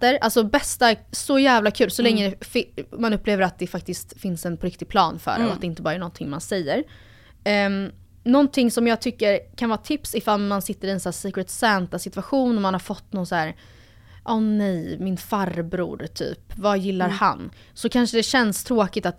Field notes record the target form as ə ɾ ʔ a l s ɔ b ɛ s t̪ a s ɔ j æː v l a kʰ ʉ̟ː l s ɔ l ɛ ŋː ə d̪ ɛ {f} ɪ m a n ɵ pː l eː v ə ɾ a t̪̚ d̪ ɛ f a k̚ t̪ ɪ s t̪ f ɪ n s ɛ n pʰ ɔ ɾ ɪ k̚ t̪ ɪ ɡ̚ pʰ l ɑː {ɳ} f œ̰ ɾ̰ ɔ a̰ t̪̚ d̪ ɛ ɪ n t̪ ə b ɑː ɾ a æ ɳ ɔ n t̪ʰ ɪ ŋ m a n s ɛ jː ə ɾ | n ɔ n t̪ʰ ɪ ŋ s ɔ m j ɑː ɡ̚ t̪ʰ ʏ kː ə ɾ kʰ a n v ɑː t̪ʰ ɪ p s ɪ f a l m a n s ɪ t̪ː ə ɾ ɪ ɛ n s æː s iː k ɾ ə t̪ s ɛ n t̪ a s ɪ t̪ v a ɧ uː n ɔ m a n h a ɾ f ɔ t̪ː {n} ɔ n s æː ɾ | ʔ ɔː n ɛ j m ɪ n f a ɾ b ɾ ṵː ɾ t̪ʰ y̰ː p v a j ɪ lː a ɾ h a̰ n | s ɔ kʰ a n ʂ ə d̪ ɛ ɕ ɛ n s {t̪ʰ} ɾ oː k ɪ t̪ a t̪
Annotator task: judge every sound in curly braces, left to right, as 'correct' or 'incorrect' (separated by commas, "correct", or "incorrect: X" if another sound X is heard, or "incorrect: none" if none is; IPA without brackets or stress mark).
correct, incorrect: n, correct, correct